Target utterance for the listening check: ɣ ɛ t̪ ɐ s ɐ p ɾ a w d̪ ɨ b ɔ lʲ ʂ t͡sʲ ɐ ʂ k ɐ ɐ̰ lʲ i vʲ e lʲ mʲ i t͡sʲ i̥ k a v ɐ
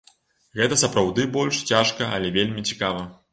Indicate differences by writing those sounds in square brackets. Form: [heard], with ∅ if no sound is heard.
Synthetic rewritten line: ɣ ɛ t̪ ɐ s ɐ p ɾ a w d̪ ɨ b ɔ lʲ ʂ t͡sʲ [a] ʂ k ɐ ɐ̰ lʲ [ɛ] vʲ e lʲ mʲ i t͡sʲ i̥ k a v ɐ